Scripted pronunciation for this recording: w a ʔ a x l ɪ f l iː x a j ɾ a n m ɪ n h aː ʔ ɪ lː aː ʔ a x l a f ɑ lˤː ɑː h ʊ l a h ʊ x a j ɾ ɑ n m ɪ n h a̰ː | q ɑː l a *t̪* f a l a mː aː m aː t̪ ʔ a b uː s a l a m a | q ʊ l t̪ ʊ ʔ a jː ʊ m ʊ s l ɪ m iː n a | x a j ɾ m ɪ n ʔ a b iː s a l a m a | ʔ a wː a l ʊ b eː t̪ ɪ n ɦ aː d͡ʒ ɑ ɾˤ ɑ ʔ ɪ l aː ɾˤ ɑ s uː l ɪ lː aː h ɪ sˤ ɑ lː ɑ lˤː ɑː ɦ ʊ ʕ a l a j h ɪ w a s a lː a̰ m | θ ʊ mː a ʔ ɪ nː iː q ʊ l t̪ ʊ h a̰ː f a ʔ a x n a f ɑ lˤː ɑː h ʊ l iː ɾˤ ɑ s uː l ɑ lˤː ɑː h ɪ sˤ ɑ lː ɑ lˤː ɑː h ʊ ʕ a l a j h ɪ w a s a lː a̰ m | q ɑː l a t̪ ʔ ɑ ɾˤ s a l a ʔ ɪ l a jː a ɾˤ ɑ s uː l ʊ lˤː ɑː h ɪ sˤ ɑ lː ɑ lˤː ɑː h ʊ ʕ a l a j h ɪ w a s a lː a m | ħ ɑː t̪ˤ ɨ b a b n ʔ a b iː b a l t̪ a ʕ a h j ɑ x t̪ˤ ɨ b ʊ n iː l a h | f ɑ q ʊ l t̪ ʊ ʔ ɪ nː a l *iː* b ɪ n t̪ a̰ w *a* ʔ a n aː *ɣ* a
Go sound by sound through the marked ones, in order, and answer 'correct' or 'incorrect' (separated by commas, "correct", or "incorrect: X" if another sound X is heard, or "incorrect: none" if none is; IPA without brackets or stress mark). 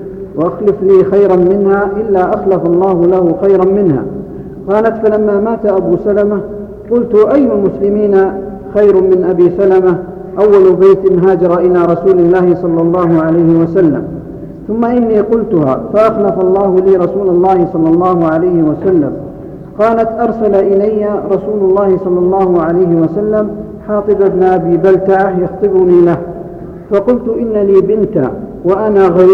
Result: correct, correct, correct, correct